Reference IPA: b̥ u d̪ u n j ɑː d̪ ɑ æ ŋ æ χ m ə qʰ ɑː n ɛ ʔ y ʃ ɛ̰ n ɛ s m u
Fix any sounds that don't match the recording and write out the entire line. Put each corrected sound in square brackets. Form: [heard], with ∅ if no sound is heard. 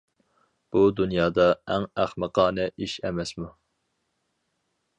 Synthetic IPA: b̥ u d̪ u n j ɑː d̪ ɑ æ ŋ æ χ m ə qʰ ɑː n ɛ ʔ [i] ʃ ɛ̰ [m] ɛ s m u